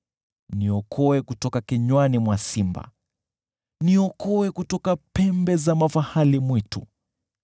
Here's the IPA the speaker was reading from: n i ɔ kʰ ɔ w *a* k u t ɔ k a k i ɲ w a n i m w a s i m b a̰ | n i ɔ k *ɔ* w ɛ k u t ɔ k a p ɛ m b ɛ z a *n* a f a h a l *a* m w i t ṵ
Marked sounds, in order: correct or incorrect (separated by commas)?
incorrect, correct, incorrect, incorrect